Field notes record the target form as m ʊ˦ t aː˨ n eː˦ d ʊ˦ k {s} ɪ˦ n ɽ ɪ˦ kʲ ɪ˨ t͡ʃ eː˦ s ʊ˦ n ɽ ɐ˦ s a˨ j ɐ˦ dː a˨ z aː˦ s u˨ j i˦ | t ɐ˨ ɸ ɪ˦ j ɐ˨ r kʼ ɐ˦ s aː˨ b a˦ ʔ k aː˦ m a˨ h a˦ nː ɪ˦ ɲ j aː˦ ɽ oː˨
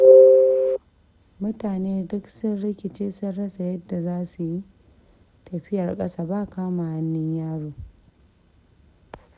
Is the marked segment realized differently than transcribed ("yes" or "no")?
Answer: no